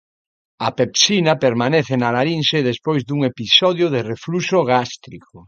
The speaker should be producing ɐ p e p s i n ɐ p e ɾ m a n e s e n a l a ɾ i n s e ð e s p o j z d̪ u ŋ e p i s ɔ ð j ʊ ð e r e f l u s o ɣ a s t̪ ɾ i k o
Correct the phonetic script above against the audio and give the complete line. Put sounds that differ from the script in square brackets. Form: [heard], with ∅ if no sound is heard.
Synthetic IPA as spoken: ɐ p e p s i n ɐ p e ɾ m a n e [θ] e n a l a ɾ i n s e ð e s p o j z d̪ u ŋ e p i s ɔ ð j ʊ ð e r e f l u s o ɣ a s t̪ ɾ i k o